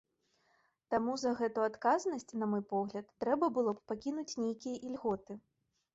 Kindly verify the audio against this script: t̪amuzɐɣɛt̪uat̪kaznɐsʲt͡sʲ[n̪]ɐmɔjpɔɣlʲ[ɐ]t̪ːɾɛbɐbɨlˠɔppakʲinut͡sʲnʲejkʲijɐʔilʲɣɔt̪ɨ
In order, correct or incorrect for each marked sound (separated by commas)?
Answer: correct, correct